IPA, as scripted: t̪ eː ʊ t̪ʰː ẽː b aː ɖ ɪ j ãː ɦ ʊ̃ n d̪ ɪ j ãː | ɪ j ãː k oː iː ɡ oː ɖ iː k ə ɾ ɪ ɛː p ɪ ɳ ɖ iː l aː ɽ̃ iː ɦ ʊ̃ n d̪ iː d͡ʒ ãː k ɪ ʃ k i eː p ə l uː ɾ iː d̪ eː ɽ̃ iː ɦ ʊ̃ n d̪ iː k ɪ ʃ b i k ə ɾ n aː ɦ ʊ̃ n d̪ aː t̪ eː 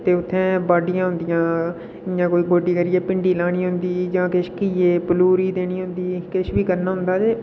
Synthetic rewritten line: t̪ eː ʊ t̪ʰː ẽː b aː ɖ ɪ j ãː ɦ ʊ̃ n d̪ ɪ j ãː | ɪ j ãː k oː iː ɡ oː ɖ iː k ə ɾ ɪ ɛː p ɪ ɳ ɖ iː l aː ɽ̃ iː ɦ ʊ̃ n d̪ iː d͡ʒ ãː k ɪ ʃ k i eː p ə l uː ɾ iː d̪ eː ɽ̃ iː ɦ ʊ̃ n d̪ iː k ɪ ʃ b iː k ə ɾ n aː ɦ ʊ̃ n d̪ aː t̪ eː